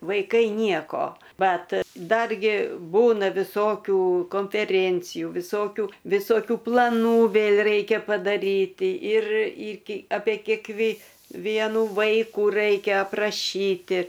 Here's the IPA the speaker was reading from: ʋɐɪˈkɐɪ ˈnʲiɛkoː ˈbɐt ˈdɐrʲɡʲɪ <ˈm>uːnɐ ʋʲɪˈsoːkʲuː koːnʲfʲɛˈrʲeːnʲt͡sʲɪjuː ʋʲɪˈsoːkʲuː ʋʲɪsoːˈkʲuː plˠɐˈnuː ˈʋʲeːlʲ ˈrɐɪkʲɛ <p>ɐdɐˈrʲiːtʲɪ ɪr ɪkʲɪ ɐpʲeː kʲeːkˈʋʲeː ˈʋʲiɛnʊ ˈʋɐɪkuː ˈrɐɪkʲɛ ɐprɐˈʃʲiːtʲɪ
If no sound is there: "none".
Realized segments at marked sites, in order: b, p

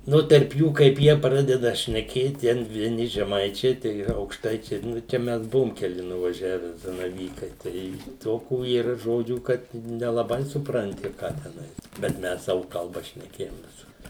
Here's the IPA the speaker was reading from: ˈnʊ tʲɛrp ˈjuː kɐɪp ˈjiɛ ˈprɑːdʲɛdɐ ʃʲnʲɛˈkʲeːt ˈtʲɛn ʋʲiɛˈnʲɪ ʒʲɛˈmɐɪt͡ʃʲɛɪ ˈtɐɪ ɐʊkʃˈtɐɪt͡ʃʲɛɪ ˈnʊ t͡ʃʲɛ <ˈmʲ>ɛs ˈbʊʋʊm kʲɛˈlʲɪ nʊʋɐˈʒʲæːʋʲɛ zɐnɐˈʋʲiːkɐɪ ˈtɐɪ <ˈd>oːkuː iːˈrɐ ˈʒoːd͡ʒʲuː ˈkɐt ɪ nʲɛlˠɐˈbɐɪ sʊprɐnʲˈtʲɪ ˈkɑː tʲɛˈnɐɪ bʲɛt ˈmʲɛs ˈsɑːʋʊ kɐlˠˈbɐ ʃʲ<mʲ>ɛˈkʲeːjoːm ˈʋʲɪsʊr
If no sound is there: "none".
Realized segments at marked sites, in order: mʲ, t, nʲ

